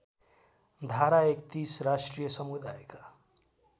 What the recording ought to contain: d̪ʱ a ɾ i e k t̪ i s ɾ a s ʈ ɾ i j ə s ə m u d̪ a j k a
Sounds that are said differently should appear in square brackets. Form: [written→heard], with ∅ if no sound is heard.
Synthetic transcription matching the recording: d̪ʱ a ɾ [i→a] e k t̪ i s ɾ a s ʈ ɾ i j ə s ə m u d̪ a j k a